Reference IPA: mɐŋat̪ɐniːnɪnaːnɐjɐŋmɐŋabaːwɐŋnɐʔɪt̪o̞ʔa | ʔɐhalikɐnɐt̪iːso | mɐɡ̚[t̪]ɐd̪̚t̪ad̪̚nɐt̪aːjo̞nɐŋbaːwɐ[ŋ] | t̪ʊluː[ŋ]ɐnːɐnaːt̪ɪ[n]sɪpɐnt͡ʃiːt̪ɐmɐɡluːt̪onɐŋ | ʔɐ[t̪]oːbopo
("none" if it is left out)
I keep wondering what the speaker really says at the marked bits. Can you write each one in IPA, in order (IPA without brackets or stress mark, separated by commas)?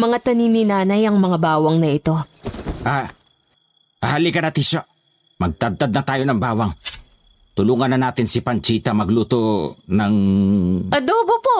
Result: t̪, ŋ, ŋ, n, d̪